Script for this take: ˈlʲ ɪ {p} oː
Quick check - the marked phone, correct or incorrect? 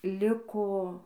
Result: incorrect: k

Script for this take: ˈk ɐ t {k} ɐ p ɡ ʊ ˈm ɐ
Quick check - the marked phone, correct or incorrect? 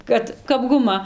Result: correct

